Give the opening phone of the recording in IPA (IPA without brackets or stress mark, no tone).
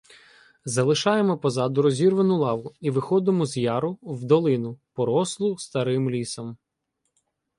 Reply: z